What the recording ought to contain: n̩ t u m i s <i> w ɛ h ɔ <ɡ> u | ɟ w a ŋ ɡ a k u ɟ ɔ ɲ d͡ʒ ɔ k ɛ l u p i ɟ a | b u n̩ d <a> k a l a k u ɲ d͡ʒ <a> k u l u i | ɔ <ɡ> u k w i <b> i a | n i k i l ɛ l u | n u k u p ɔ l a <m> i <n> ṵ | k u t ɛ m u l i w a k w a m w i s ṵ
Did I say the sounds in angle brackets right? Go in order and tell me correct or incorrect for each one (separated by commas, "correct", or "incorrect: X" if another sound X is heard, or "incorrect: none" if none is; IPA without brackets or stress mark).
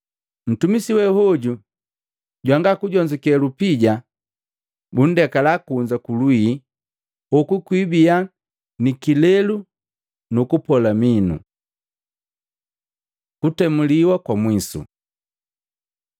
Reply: correct, incorrect: ɟ, incorrect: ɛ, correct, incorrect: k, correct, correct, correct